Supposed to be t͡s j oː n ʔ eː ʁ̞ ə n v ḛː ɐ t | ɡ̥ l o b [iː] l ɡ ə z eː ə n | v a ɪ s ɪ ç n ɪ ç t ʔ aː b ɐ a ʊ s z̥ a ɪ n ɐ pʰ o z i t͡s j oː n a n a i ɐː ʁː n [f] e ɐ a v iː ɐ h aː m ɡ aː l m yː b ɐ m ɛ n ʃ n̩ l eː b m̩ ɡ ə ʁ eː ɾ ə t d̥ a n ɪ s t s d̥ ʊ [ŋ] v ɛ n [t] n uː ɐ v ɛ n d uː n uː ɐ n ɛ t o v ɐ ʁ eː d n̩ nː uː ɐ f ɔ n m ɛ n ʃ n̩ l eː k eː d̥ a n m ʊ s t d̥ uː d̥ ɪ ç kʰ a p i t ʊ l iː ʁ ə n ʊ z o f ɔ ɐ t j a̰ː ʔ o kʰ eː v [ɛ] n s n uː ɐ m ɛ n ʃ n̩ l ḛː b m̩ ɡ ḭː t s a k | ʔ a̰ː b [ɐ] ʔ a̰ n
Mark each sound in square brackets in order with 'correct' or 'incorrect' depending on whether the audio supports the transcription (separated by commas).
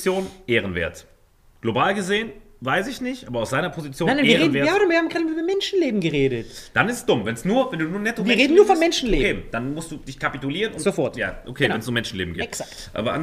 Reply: incorrect, incorrect, incorrect, incorrect, correct, correct